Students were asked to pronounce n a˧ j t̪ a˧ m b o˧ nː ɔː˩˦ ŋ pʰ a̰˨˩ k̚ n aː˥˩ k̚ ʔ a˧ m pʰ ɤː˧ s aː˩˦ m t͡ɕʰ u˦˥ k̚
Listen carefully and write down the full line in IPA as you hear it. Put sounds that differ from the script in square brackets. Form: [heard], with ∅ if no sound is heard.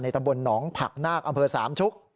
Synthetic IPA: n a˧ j t̪ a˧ m b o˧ nː ɔː˩˦ ŋ pʰ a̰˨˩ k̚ n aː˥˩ k̚ ʔ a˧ m pʰ ɤː˧ s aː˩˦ m t͡ɕʰ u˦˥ k̚